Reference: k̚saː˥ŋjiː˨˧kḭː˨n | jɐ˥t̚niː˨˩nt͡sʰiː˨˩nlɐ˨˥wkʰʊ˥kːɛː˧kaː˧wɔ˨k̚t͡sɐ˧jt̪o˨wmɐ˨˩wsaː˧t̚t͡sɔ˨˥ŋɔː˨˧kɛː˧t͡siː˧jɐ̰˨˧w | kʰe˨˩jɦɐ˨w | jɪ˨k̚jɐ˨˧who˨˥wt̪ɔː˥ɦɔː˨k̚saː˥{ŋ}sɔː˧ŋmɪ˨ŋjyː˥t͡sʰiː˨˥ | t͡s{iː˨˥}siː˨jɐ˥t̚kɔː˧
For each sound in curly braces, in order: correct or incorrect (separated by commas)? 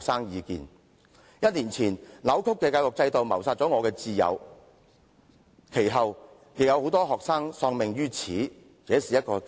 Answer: correct, incorrect